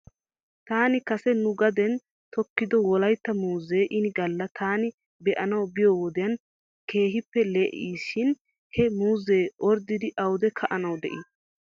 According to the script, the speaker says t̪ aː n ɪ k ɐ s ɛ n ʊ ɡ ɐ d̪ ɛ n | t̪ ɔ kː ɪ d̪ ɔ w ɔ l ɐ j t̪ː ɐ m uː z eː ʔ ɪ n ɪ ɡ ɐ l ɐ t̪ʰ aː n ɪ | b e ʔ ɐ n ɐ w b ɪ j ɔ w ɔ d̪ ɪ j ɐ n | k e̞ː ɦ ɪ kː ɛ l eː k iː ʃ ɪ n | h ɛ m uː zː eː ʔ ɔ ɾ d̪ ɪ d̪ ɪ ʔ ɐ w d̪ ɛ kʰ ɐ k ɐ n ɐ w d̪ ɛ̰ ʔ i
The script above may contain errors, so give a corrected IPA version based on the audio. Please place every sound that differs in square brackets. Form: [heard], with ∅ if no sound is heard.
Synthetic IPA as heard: t̪ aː n ɪ k ɐ s ɛ n ʊ ɡ ɐ d̪ ɛ n | t̪ ɔ kː ɪ d̪ ɔ w ɔ l ɐ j t̪ː ɐ m uː z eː ʔ ɪ n ɪ ɡ ɐ [lː] ɐ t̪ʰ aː n ɪ | b [ɛ] ʔ ɐ n ɐ w b ɪ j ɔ w ɔ d̪ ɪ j ɐ n | k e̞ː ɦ ɪ [pː] ɛ l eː [ʔ] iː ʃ ɪ n | h ɛ m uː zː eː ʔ ɔ ɾ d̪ ɪ d̪ ɪ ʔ ɐ w d̪ ɛ kʰ ɐ [ʔ] ɐ n ɐ w d̪ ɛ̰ ʔ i